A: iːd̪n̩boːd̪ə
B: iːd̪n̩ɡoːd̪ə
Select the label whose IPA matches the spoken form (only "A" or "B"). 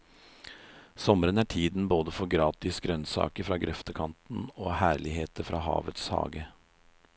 A